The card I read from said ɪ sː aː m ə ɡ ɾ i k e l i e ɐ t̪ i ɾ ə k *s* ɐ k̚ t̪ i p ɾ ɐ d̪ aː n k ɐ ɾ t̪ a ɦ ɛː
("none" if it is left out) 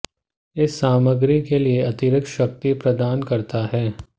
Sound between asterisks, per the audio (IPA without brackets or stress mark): ʃ